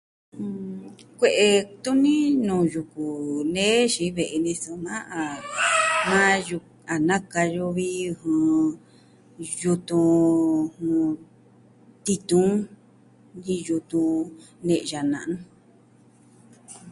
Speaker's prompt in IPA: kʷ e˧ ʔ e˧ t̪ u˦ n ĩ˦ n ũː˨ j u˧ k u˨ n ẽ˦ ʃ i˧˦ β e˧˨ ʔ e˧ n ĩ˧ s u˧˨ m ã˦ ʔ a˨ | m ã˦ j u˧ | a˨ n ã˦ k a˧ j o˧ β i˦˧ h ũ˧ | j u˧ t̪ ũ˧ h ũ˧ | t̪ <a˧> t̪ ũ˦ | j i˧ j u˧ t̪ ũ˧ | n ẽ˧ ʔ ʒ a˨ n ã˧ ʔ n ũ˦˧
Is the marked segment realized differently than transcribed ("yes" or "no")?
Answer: yes